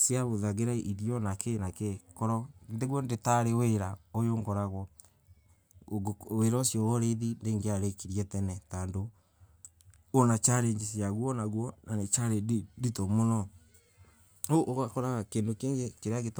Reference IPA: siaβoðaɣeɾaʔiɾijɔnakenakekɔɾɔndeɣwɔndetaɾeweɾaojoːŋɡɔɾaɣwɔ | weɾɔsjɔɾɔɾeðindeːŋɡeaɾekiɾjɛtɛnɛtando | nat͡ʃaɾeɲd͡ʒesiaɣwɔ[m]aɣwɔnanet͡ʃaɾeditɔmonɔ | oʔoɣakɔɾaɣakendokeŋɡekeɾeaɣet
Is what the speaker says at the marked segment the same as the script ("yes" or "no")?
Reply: no